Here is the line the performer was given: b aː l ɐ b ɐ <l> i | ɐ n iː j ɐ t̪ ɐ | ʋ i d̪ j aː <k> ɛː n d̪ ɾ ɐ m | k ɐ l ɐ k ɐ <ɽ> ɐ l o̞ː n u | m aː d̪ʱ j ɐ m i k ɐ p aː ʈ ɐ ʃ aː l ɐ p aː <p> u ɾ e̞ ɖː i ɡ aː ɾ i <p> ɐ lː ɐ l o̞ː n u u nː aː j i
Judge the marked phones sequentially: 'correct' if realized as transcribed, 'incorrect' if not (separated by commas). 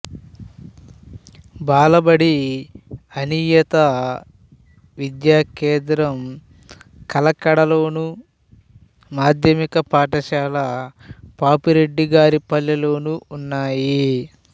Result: incorrect, correct, correct, correct, correct